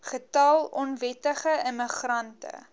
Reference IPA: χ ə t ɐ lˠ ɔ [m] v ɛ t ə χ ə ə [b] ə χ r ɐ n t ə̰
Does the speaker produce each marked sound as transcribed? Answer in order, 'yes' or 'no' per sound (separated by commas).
no, no